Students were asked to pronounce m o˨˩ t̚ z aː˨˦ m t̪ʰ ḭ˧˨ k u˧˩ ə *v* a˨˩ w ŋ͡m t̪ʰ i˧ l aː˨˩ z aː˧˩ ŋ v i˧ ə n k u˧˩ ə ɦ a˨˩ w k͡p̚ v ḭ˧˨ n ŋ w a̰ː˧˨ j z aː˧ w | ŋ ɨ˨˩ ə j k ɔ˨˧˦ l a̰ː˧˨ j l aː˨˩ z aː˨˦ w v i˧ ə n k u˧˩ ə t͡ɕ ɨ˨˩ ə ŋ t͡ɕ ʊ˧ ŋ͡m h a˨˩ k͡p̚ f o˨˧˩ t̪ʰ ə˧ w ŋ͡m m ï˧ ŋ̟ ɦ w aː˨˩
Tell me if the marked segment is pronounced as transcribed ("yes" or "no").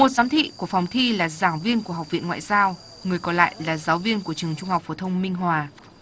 no